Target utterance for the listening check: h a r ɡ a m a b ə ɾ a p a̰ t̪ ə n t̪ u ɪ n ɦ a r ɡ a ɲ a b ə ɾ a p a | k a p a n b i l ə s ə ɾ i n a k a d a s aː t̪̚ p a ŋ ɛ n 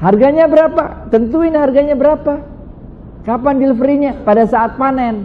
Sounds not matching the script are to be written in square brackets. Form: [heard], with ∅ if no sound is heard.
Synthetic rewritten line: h a r ɡ a [ɲ] a b ə ɾ a p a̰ t̪ ə n t̪ u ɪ n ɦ a r ɡ a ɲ a b ə ɾ a p a | k a p a n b i l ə [f] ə ɾ i [ɲ] a [p] a d a s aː t̪̚ p a [n] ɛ n